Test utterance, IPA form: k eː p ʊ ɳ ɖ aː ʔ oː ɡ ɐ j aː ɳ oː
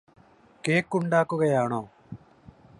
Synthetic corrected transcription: k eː k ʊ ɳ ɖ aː k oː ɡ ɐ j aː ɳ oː